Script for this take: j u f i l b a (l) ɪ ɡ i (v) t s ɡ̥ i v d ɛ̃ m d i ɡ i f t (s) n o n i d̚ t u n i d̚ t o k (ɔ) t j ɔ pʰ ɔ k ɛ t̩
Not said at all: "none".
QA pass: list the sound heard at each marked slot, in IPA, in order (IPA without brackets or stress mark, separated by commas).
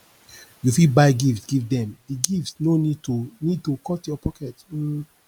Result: none, f, s, ɔ